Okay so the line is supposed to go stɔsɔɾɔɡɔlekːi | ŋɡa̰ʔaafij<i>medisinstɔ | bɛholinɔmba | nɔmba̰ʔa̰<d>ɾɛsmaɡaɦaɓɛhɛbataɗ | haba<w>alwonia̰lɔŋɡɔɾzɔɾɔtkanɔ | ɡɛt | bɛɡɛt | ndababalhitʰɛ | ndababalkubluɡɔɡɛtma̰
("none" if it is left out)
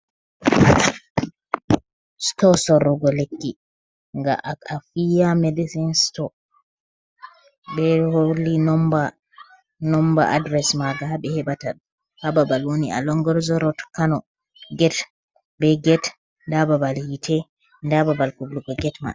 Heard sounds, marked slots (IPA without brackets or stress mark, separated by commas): a, d, b